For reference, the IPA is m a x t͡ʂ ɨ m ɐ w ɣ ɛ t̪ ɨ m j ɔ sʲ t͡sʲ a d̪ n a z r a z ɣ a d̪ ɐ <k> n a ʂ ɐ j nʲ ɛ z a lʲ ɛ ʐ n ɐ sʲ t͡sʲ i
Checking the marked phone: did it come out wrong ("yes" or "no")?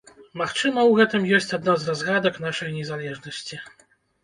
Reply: no